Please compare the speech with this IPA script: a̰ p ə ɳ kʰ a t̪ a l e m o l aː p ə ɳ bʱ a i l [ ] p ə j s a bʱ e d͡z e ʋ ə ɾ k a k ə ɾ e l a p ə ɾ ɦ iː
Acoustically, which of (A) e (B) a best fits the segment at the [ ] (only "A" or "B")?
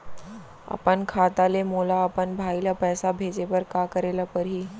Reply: B